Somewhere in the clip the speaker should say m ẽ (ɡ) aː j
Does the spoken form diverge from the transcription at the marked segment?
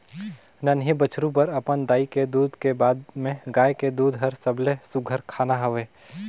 no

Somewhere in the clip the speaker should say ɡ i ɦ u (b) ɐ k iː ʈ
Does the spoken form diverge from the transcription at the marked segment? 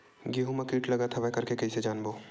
yes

